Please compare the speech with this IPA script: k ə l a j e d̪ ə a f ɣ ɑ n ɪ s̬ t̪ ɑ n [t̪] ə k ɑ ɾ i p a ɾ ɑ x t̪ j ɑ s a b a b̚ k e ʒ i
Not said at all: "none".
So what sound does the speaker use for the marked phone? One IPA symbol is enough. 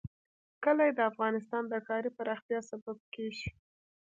d̪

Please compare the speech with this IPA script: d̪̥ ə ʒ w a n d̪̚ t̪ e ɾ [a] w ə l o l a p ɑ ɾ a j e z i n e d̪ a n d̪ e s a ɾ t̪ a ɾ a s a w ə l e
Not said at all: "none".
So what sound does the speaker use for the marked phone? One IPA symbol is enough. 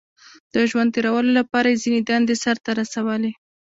a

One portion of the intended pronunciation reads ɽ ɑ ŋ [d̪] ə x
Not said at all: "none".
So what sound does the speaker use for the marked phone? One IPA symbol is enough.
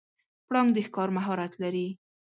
d̪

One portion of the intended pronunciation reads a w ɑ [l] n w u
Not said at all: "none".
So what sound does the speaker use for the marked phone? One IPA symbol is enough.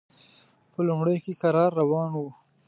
none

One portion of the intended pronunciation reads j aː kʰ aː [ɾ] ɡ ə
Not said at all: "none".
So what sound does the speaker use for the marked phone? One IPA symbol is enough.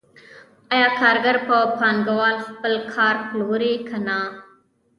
ɾ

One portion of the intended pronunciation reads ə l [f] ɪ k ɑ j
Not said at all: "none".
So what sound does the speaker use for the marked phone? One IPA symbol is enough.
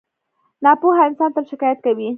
ʃ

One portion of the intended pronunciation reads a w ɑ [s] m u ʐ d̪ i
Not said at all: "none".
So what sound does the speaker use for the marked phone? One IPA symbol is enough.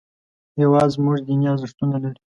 z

